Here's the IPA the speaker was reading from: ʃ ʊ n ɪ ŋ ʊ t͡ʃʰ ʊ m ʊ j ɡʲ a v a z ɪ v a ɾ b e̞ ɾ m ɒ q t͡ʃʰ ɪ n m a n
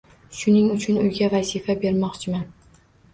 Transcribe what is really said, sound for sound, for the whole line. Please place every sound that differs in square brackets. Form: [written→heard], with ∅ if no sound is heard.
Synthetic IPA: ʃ ʊ n ɪ ŋ ʊ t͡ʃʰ ʊ [m→n] ʊ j ɡʲ a v a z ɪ [v→f] a [ɾ→∅] b e̞ ɾ m ɒ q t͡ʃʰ ɪ [n→∅] m a n